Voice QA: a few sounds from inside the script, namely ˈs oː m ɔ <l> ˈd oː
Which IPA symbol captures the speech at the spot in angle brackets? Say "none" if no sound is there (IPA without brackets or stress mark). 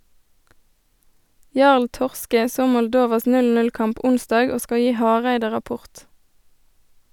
l